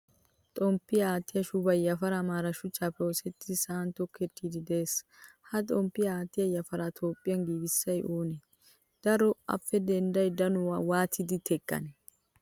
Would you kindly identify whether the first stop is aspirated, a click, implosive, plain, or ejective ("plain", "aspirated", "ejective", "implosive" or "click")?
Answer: ejective